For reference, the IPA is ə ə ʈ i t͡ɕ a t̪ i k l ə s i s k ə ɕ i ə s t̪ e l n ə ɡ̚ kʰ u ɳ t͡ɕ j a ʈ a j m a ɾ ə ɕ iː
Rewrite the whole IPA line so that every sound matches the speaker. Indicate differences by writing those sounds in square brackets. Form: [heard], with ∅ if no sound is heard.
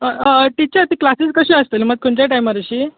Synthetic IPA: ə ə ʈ i t͡ɕ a t̪ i k l [a] s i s k ə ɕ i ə s t̪ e l [m] ə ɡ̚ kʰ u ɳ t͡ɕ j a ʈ a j m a ɾ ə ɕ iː